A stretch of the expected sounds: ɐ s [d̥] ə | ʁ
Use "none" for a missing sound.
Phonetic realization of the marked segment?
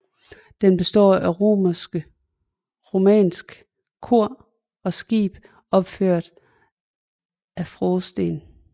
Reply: ɡ̥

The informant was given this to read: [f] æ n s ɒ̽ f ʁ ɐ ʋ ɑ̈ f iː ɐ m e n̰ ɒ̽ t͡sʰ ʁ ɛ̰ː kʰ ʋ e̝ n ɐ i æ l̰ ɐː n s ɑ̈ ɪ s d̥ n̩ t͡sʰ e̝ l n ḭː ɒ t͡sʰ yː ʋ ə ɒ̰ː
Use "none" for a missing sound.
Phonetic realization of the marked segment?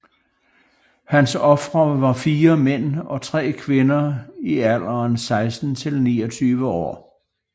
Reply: h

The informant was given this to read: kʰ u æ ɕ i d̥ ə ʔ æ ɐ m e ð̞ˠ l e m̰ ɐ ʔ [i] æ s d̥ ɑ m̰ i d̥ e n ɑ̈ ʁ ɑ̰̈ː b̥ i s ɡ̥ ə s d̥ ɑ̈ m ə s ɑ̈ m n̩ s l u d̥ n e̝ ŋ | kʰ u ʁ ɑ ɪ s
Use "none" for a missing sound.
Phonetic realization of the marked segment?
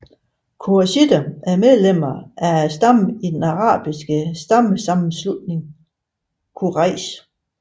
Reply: æ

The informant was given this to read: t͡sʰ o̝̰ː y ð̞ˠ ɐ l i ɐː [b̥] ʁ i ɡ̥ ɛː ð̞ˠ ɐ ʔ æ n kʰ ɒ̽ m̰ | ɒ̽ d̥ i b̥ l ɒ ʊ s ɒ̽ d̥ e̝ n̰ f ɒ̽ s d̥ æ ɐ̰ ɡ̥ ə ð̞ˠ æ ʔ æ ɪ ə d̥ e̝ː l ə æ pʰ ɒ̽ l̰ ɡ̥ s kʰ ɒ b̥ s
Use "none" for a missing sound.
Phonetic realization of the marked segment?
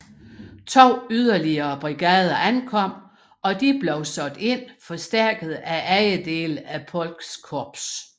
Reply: b̥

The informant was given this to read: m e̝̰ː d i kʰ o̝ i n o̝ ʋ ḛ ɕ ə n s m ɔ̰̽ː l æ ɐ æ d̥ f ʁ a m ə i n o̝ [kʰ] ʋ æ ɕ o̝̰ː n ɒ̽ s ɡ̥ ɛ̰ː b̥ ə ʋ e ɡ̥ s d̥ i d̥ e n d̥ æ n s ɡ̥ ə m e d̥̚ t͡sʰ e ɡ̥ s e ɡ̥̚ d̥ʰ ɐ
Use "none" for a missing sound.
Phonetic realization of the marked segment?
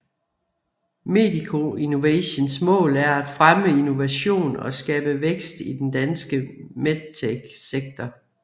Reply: none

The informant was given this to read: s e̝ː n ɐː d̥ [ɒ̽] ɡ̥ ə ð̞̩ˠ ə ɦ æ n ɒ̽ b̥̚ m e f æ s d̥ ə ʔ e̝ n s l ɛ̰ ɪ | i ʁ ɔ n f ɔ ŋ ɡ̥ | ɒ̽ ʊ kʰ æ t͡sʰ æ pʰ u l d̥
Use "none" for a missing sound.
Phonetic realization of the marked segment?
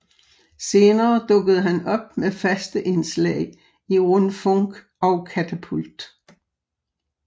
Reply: ɔ̽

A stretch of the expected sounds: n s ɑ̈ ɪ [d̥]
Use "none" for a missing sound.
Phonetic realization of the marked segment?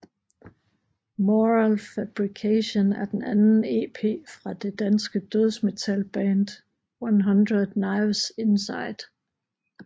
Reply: d̥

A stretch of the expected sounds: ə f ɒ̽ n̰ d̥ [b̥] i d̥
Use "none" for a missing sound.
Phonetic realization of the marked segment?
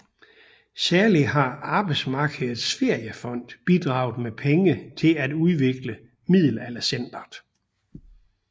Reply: b̥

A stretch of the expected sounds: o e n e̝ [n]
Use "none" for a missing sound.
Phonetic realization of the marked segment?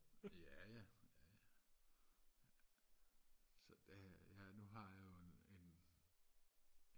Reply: n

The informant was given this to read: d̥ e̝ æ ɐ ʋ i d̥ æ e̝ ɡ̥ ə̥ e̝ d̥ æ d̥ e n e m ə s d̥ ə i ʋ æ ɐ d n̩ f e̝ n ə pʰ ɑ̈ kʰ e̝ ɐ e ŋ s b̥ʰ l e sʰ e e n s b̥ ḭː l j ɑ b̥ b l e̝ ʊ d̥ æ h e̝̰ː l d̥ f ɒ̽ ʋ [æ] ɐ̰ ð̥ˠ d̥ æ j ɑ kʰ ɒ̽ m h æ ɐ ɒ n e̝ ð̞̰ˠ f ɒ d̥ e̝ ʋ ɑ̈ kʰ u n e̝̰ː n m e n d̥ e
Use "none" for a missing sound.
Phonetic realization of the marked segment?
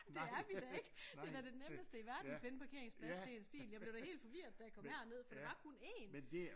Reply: i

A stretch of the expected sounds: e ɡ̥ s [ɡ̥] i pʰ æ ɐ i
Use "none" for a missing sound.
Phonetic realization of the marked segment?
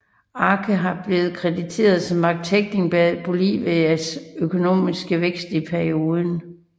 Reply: d̥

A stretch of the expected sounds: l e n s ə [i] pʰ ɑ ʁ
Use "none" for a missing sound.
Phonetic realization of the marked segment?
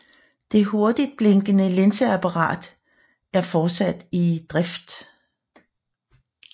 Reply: æ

